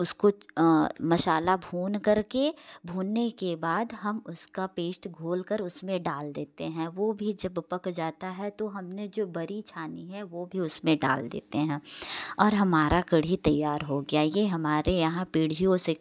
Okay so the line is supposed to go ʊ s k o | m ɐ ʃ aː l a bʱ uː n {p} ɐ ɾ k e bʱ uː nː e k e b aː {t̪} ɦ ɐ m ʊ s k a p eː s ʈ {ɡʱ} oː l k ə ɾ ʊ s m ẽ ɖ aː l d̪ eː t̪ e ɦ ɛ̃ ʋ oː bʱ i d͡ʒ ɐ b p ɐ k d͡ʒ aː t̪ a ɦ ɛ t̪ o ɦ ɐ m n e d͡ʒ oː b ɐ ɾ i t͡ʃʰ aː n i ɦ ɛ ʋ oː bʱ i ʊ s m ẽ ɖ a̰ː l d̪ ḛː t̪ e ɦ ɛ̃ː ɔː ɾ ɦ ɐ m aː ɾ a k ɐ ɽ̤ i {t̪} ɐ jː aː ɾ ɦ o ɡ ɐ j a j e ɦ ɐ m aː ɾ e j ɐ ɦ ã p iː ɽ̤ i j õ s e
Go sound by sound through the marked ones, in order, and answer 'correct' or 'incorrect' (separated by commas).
incorrect, incorrect, correct, correct